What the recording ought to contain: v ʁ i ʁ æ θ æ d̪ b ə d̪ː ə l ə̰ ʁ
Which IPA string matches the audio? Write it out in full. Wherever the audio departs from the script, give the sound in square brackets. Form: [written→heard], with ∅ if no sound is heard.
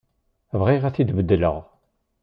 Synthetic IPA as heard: v ʁ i ʁ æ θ [æ→i] d̪ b ə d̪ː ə l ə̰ ʁ